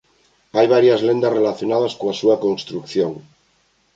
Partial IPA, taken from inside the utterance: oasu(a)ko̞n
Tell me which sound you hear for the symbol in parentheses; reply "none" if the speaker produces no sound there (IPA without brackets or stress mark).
a